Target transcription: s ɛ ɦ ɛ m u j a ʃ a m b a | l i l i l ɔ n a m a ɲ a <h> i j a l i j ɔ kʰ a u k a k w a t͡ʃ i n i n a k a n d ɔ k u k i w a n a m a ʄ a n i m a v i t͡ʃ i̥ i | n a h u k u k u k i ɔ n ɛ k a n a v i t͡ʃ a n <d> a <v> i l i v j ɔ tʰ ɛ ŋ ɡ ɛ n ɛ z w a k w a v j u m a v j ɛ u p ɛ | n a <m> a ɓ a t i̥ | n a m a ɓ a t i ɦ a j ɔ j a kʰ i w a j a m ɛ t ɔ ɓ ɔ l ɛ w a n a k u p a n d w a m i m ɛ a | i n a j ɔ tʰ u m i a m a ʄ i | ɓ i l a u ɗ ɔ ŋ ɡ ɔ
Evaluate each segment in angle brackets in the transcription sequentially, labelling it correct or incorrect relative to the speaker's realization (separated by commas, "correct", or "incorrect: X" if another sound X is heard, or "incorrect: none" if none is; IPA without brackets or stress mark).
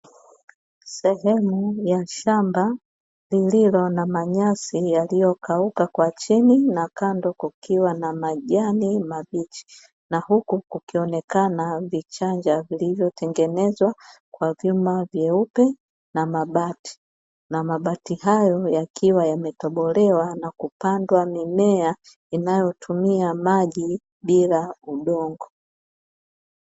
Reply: incorrect: s, incorrect: d͡ʒ, correct, correct